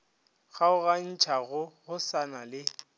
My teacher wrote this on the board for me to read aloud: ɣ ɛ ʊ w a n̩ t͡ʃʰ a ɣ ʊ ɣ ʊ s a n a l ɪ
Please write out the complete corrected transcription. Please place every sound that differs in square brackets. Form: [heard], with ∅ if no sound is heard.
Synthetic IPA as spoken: ɣ [a] ʊ [ɣ] a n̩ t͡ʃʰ a ɣ ʊ ɣ ʊ s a n a l ɪ